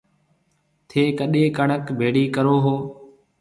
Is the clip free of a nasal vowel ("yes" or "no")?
yes